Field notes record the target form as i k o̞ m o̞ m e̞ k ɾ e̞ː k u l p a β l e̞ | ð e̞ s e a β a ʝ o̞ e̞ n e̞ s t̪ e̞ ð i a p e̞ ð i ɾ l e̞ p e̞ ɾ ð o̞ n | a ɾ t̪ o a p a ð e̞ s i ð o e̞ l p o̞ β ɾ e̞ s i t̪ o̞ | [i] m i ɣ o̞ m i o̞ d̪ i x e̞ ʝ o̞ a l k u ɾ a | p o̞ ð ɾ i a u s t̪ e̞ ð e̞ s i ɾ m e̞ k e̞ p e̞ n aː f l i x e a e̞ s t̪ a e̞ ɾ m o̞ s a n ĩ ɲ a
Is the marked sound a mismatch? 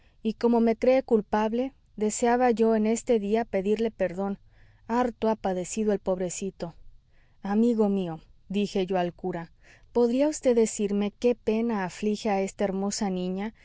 yes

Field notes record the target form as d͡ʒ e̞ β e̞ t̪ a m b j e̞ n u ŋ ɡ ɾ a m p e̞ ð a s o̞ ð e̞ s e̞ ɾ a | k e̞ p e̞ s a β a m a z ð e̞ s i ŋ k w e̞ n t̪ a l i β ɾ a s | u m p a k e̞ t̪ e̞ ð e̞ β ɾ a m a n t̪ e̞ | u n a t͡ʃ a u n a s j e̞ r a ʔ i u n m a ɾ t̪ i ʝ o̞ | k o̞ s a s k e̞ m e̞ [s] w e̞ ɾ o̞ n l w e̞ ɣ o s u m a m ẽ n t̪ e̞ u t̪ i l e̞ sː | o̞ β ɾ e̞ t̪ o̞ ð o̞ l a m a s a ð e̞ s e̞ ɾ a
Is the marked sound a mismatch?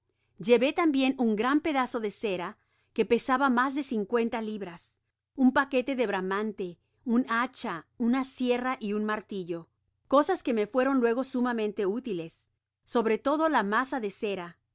yes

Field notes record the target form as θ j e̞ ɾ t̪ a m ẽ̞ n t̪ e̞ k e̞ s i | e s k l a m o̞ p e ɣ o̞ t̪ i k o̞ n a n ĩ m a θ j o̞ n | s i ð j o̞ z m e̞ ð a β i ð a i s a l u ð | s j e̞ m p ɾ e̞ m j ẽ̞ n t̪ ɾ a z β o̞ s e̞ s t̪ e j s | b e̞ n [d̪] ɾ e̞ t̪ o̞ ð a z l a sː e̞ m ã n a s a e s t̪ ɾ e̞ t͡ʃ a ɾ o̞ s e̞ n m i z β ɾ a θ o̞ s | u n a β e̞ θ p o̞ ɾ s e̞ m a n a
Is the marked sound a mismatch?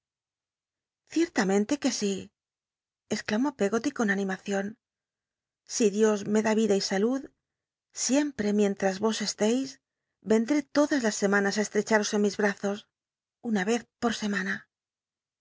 no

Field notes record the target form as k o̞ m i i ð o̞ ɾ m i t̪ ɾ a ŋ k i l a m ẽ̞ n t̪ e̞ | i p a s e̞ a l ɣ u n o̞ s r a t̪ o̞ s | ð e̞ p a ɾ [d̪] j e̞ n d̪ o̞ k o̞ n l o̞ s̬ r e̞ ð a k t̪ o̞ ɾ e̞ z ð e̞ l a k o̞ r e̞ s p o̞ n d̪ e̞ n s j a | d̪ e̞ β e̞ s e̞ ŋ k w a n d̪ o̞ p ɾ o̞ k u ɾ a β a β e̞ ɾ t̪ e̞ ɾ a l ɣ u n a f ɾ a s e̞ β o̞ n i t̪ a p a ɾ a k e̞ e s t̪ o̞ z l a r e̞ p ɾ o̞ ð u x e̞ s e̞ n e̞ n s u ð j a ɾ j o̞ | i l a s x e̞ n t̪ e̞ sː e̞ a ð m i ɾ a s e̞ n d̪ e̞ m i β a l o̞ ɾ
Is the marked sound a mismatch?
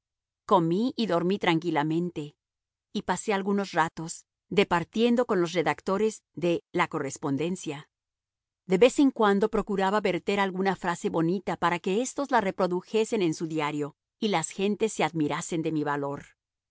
yes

